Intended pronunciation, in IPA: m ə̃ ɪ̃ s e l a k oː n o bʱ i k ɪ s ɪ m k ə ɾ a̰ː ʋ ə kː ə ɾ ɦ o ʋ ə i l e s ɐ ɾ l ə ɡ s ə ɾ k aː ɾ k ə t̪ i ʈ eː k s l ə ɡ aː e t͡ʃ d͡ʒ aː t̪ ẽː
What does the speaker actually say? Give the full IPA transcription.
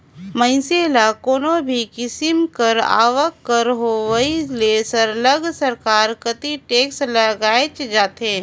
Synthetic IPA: m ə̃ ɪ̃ s e l a k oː n o bʱ i k ɪ s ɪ m k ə ɾ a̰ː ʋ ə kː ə ɾ ɦ o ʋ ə i l e s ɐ ɾ l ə ɡ s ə ɾ k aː ɾ k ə t̪ i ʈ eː k s l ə ɡ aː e t͡ʃ d͡ʒ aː t̪ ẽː